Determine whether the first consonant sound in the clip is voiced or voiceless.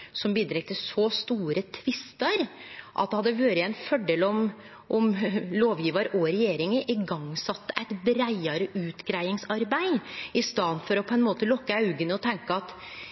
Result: voiceless